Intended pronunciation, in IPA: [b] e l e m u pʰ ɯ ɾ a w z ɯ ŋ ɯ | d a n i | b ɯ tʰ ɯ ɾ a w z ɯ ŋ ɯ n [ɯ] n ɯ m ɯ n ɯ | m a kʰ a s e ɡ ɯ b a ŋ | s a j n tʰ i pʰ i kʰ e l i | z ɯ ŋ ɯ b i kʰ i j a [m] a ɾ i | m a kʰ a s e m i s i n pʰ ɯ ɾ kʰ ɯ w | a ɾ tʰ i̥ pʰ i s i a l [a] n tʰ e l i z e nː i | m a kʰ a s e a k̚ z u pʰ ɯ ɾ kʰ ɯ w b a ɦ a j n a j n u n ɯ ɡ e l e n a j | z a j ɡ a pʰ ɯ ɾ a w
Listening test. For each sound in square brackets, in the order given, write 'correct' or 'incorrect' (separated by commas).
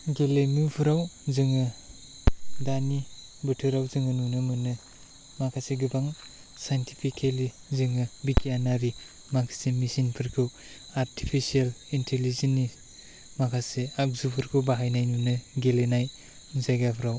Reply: incorrect, incorrect, incorrect, incorrect